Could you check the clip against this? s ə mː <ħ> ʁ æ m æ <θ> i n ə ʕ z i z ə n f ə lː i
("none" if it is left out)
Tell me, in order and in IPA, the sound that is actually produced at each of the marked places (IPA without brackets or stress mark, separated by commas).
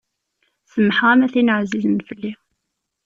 ħ, θ